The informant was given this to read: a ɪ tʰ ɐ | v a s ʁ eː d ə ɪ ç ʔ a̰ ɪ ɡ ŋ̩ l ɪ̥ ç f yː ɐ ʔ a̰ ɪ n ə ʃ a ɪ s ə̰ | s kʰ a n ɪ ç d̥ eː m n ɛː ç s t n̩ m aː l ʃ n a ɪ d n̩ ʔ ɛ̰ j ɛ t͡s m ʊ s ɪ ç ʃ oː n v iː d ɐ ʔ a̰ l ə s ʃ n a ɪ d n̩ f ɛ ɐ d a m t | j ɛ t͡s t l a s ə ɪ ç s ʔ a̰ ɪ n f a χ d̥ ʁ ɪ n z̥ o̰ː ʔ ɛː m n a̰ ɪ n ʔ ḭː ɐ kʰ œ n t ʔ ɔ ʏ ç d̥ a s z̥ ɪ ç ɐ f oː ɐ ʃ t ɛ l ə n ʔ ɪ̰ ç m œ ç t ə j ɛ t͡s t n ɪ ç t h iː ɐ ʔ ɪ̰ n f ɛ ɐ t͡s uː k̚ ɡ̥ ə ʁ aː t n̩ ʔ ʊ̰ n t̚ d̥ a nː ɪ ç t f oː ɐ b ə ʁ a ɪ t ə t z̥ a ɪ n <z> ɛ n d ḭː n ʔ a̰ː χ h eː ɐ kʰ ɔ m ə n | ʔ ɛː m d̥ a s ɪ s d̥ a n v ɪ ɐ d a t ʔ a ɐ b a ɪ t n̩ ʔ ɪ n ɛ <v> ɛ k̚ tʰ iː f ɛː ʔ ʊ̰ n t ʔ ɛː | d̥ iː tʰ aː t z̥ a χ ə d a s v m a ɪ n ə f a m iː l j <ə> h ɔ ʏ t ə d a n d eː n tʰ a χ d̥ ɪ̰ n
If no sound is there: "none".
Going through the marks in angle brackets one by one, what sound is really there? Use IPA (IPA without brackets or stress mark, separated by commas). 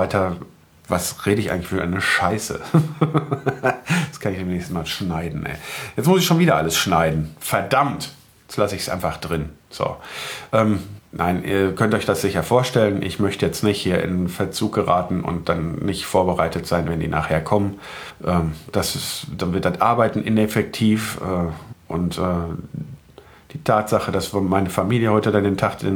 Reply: v, f, ə